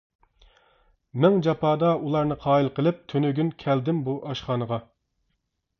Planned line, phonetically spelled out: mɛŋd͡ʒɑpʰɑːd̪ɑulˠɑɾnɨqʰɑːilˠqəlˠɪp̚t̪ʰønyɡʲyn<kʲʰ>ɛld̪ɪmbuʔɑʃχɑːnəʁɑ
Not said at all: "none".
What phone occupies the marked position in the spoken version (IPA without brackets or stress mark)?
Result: kʲʰ